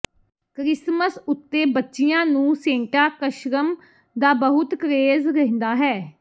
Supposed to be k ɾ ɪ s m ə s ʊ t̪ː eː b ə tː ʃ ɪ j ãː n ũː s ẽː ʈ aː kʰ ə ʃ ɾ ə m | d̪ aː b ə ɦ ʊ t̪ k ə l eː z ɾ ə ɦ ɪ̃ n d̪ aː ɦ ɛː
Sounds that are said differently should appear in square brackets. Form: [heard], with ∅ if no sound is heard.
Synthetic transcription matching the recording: k ɾ ɪ s m ə s ʊ t̪ː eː b ə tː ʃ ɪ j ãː n ũː s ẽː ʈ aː [k] ə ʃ ɾ ə m | d̪ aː b ə ɦ ʊ t̪ k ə [ɾ] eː z ɾ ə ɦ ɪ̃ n d̪ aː ɦ ɛː